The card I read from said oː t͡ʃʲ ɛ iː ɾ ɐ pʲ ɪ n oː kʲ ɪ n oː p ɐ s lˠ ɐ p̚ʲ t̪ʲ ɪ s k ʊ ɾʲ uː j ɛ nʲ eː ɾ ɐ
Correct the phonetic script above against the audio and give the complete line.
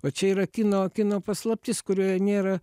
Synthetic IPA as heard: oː t͡ʃʲ ɛ iː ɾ ɐ kʲ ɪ n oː kʲ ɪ n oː p ɐ s lˠ ɐ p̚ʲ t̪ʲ ɪ s k ʊ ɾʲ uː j ɛ nʲ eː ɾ ɐ

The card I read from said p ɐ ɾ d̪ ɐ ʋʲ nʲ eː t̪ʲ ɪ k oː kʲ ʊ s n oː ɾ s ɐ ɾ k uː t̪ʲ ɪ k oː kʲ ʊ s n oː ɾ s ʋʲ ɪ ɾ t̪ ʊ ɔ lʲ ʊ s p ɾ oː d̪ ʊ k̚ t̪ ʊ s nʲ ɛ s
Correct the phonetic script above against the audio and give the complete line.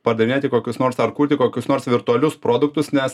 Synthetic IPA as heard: p ɐ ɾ d̪ ɐ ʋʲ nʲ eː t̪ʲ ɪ k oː kʲ ʊ s n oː ɾ s ɐ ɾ k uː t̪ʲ ɪ k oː kʲ ʊ s n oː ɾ s ʋʲ ɪ ɾ t̪ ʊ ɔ lʲ ʊ s p ɾ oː d̪ ʊ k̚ t̪ ʊ s nʲ ɛ s

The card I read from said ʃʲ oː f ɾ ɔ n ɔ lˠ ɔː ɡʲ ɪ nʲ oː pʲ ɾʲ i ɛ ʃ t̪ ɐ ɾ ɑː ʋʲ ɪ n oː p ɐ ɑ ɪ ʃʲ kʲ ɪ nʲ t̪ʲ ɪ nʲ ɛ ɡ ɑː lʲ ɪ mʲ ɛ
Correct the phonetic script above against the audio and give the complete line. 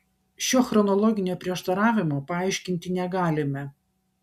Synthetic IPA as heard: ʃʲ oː x ɾ ɔ n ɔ lˠ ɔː ɡʲ ɪ nʲ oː pʲ ɾʲ i ɛ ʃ t̪ ɐ ɾ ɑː ʋʲ ɪ m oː p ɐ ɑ ɪ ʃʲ kʲ ɪ nʲ t̪ʲ ɪ nʲ ɛ ɡ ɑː lʲ ɪ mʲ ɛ

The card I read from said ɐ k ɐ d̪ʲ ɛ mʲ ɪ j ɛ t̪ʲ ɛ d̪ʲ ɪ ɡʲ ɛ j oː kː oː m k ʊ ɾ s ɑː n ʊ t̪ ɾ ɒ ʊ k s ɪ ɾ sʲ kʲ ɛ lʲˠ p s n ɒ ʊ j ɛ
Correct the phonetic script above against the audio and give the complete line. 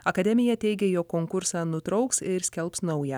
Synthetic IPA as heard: ɐ k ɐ d̪ʲ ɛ mʲ ɪ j ɛ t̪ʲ ɛ ɪ ɡʲ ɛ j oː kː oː ŋ k ʊ ɾ s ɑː n ʊ t̪ ɾ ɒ ʊ k s ɪ ɾ sʲ kʲ ɛ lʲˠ p s n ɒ ʊ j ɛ

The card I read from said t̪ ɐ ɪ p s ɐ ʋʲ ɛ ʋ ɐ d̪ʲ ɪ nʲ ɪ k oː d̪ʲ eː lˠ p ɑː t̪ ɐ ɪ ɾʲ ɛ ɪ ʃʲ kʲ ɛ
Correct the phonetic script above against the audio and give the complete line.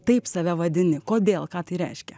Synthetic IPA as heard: t̪ ɐ ɪ p s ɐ ʋʲ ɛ ʋ ɐ d̪ʲ ɪ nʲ ɪ k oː d̪ʲ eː lˠ k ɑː t̪ ɐ ɪ ɾʲ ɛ ɪ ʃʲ kʲ ɛ

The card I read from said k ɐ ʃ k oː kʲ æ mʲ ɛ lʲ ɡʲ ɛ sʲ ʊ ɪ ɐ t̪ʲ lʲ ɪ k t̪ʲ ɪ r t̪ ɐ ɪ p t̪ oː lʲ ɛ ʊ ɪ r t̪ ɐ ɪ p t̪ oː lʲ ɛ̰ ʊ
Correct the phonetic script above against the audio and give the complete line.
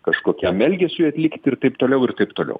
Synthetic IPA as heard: k ɐ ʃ k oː kʲ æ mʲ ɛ lʲ ɡʲ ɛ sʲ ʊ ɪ ɐ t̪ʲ lʲ ɪ k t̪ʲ ɪ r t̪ ɐ ɪ p t̪ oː lʲ ɛ ʊ ɪ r t̪ ɐ ɪ p t̪ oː lʲ ɛ̰ ʊ

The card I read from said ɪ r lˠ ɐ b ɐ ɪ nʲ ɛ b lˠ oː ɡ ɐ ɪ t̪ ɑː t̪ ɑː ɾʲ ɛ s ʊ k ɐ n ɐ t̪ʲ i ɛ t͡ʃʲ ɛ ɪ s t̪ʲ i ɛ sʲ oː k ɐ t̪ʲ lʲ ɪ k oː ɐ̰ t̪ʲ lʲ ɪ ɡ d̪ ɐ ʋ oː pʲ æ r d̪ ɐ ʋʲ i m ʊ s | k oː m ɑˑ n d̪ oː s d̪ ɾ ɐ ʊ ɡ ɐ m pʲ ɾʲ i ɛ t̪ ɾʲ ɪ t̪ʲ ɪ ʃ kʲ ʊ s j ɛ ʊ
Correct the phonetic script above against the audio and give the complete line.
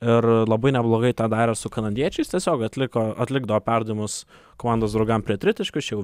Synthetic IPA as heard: ɪ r lˠ ɐ b ɐ ɪ nʲ ɛ b lˠ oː ɡ ɐ ɪ t̪ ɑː d̪ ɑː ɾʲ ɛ s ʊ k ɐ n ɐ d̪ʲ i ɛ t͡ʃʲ ɛ ɪ s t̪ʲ i ɛ sʲ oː k ɐ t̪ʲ lʲ ɪ k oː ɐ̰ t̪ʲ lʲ ɪ ɡ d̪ ɐ ʋ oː pʲ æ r d̪ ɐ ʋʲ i m ʊ s | k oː m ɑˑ n d̪ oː s d̪ ɾ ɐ ʊ ɡ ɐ m pʲ ɾʲ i ɛ t̪ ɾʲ ɪ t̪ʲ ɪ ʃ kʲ ʊ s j ɛ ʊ

